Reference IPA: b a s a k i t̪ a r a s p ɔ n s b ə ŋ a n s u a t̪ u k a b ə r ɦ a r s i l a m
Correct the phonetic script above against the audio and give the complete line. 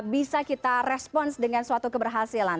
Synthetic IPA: b i s a k i t̪ a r ɛ s p ɔ n s d ə ŋ a n s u a t̪ u k ə b ə r ɦ a s i l a n